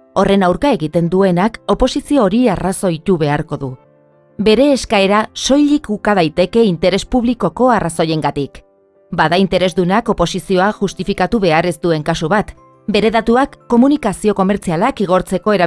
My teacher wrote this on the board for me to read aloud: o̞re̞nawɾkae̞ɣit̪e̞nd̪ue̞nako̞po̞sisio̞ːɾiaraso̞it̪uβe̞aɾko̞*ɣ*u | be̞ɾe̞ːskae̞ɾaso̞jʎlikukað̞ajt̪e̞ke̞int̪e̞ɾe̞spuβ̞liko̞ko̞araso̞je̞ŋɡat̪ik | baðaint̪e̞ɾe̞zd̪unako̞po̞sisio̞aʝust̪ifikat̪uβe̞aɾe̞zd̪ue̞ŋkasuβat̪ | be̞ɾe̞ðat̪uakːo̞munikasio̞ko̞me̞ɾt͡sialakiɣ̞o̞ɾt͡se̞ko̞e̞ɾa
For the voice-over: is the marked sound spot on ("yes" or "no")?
no